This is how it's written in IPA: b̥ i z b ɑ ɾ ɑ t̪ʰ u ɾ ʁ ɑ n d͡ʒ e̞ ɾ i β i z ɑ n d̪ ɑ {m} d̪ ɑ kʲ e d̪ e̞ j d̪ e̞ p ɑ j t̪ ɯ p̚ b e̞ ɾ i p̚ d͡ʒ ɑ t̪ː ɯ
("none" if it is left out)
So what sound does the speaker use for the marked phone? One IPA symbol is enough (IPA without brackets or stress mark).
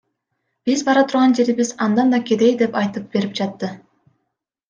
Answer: n